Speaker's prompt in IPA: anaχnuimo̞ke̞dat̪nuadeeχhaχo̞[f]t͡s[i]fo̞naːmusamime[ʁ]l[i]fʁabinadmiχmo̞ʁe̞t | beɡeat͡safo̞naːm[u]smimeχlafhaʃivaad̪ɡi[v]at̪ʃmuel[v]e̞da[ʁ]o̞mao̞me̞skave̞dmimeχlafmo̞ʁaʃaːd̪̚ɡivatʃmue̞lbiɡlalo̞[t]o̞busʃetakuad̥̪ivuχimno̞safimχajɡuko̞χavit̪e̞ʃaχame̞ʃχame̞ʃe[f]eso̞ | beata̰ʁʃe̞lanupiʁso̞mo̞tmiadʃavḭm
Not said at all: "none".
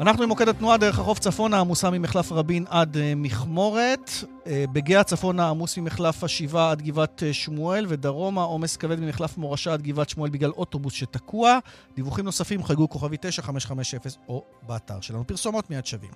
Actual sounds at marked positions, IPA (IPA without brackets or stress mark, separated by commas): f, a, χ, a, u, v, v, ʁ, t, f